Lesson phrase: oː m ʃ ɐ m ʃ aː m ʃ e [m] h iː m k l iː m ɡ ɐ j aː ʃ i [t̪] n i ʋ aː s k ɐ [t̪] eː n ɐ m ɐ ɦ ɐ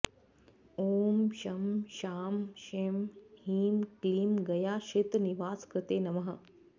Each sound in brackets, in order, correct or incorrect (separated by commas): correct, correct, correct